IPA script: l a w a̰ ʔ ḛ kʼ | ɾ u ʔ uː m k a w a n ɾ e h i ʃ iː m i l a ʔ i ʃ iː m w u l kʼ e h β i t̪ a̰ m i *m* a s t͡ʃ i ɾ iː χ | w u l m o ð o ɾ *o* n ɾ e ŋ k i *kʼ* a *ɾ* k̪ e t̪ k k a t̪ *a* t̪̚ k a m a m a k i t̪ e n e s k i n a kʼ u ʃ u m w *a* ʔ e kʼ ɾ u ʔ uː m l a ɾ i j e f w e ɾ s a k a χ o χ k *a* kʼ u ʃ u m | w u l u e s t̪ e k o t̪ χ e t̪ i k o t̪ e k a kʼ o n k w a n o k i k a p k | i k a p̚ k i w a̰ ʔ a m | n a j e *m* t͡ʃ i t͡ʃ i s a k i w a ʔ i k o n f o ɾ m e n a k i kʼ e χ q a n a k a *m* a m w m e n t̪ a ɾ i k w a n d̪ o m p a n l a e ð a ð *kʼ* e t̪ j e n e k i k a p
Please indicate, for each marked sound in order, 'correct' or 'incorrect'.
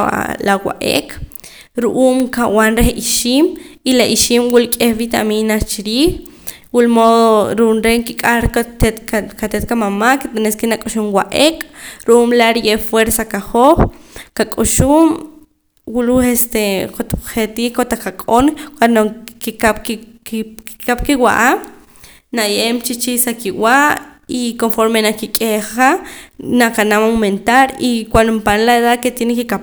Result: incorrect: n, incorrect: u, correct, correct, incorrect: e, correct, correct, correct, incorrect: n, incorrect: k

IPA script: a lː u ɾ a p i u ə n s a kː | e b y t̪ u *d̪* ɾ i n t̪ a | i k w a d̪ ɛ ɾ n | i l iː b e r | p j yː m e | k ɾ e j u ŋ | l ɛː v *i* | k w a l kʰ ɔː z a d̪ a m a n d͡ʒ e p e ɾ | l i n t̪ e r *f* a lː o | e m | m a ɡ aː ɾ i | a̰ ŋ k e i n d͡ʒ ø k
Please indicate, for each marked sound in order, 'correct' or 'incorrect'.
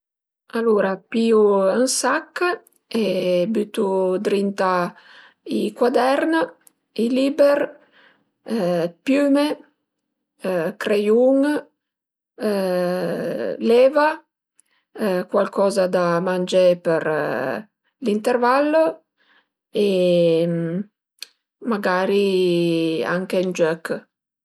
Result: correct, incorrect: a, incorrect: v

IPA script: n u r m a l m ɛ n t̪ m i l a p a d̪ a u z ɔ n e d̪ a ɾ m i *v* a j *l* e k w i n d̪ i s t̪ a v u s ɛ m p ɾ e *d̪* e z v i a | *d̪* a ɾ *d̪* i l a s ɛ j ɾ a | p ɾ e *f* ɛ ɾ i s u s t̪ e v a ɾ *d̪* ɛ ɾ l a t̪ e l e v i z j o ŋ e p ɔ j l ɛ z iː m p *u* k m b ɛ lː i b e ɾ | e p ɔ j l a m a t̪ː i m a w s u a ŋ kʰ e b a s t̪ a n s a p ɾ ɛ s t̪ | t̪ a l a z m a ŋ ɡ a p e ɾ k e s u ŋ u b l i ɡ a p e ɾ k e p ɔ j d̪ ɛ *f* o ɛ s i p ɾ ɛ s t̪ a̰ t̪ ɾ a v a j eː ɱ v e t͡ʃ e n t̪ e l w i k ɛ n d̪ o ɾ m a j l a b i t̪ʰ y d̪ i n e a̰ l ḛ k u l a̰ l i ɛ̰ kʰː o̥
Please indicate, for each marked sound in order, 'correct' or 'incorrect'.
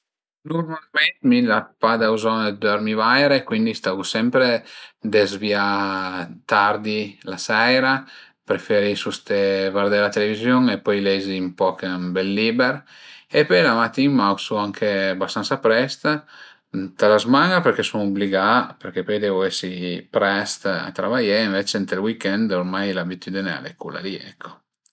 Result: correct, incorrect: ɾ, correct, incorrect: t̪, correct, correct, correct, incorrect: ɔ, incorrect: v

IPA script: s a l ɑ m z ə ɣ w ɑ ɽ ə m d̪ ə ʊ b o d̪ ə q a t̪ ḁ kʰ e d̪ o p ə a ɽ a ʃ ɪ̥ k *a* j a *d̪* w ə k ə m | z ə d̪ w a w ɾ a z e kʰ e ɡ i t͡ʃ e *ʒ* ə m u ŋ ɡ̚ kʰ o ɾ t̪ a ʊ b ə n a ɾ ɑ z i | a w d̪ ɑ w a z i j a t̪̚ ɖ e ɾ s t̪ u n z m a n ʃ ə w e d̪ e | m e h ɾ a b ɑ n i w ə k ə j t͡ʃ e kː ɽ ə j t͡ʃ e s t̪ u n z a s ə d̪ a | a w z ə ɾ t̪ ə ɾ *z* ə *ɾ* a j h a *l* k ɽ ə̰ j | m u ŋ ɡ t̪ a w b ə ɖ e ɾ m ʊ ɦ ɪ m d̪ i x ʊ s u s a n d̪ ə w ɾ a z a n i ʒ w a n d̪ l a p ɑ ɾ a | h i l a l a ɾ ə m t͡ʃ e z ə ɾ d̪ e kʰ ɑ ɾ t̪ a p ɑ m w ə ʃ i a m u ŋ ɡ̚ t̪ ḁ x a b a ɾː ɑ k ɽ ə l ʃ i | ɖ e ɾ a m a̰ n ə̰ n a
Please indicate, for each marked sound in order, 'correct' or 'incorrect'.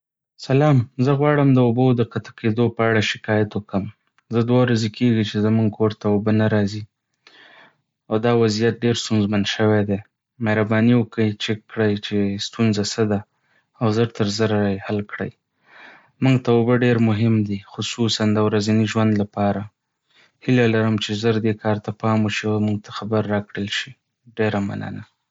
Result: incorrect: ɑ, incorrect: t̪, incorrect: z, correct, correct, correct

